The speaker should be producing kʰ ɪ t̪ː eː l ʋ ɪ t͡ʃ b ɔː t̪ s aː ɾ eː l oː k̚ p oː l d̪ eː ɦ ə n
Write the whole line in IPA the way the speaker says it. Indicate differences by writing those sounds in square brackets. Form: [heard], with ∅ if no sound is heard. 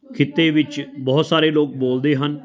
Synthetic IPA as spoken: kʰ ɪ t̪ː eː [∅] ʋ ɪ t͡ʃ b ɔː t̪ s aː ɾ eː l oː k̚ [b] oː l d̪ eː ɦ ə n